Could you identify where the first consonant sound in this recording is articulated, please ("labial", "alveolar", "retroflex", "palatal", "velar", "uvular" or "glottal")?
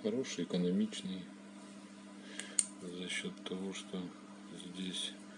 velar